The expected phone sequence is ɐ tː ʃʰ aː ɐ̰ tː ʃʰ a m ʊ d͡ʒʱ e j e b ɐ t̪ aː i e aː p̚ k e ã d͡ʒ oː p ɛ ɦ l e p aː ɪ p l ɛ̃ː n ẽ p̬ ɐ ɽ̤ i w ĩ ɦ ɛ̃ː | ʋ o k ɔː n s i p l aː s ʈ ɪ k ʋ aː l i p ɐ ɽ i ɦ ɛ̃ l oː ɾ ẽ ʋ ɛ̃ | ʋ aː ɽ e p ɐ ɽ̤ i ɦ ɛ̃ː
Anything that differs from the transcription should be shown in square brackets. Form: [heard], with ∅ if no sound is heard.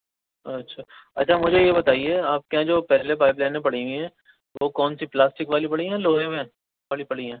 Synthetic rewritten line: ɐ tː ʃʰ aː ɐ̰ tː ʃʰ a m ʊ d͡ʒʱ e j e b ɐ t̪ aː i e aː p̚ k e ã d͡ʒ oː p ɛ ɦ l e p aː ɪ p l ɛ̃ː n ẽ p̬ ɐ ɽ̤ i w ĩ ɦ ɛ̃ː | ʋ o k ɔː n s i p l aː s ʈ ɪ k ʋ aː l i p ɐ ɽ i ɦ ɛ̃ l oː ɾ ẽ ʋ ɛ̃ | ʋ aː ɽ [i] p ɐ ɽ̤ i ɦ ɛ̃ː